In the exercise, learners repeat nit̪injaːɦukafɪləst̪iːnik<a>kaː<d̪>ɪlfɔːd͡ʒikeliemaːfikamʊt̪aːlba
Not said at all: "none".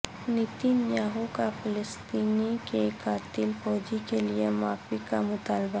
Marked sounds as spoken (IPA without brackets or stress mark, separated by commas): e, t̪